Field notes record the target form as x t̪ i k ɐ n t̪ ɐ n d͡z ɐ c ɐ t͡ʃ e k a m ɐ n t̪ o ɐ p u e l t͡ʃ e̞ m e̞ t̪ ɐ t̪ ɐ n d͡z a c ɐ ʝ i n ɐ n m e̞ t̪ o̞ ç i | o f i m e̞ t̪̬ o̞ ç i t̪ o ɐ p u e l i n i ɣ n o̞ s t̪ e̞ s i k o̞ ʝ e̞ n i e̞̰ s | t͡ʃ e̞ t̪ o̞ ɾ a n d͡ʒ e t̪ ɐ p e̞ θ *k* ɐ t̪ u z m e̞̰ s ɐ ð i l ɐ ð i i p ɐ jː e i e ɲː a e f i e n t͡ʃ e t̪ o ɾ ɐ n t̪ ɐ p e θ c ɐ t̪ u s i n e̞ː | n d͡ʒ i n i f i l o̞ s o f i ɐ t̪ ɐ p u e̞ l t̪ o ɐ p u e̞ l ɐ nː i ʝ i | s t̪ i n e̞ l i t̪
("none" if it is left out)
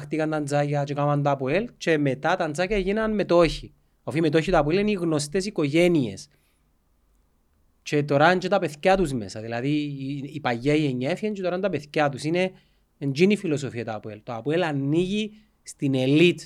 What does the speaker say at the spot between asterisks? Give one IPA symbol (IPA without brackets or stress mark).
c